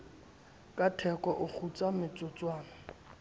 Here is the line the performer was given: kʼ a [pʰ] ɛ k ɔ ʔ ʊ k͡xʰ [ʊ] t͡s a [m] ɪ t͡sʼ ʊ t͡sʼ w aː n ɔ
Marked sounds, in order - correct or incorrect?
incorrect, incorrect, correct

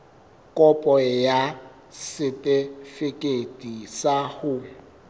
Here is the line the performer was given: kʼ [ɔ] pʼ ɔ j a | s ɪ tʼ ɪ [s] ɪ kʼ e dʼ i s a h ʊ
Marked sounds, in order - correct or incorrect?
correct, incorrect

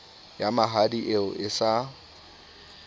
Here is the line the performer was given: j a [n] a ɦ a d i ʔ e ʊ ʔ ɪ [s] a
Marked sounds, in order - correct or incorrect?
incorrect, correct

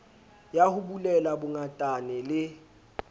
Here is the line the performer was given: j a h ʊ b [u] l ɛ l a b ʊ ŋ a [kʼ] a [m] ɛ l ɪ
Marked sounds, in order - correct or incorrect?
correct, incorrect, incorrect

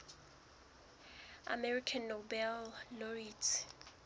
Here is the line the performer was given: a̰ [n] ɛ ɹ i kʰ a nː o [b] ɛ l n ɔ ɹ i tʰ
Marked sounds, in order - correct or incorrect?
incorrect, correct

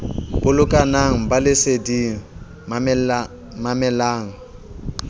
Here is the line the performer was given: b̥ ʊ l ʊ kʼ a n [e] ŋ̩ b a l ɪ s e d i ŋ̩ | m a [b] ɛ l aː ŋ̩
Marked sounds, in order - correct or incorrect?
incorrect, incorrect

